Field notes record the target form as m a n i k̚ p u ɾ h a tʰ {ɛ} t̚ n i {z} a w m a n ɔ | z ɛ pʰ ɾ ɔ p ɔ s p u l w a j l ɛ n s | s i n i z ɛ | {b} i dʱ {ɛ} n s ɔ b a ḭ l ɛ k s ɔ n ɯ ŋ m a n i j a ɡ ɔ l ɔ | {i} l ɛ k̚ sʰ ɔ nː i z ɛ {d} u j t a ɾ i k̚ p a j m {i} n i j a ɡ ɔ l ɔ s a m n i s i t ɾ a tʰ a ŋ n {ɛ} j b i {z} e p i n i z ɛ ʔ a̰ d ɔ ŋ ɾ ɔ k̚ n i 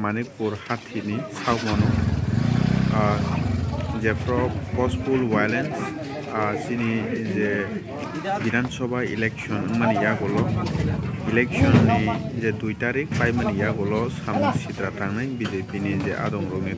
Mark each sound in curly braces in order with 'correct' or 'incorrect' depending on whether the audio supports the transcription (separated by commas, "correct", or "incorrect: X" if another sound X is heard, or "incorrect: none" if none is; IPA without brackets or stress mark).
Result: incorrect: i, incorrect: s, correct, incorrect: a, correct, correct, incorrect: a, incorrect: a, correct